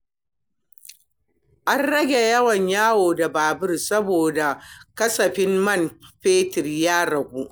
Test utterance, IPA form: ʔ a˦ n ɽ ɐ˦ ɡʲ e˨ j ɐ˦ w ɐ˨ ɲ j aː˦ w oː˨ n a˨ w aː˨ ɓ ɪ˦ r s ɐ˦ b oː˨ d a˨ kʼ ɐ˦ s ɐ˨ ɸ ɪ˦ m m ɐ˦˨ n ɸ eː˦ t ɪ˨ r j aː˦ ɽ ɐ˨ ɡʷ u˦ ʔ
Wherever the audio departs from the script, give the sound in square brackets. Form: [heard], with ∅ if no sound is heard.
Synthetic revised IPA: ʔ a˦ n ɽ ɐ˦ ɡʲ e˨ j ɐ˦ w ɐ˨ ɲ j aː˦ w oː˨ [d] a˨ [b] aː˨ [b] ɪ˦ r s ɐ˦ b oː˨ d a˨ [k] ɐ˦ s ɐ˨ ɸ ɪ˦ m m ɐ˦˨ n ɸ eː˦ t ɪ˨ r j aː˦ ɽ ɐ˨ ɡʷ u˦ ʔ